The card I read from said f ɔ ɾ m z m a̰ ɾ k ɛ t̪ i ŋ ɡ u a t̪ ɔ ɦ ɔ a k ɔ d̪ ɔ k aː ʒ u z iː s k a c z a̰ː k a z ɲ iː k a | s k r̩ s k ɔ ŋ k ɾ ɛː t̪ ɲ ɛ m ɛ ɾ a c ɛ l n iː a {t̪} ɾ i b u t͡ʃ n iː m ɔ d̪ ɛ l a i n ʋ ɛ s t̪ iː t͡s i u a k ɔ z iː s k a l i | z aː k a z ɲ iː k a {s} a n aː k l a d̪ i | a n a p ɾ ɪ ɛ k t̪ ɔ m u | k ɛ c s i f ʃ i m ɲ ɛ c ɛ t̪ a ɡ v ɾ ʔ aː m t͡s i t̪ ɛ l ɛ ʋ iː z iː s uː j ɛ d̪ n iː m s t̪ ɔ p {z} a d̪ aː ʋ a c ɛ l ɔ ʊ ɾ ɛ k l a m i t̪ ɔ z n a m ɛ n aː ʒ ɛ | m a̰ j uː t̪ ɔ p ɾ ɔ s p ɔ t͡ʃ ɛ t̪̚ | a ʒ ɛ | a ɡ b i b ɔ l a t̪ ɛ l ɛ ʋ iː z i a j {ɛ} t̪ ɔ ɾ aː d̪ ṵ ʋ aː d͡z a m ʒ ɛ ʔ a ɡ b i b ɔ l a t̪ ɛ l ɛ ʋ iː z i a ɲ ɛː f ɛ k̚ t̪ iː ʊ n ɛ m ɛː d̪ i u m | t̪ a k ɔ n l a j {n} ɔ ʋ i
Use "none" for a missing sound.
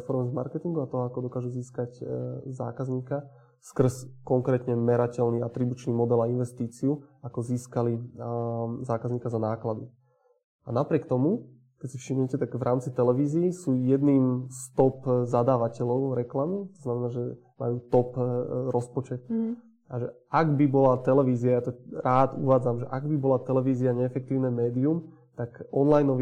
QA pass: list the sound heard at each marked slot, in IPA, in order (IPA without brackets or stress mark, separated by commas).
t̪, z, z, a, n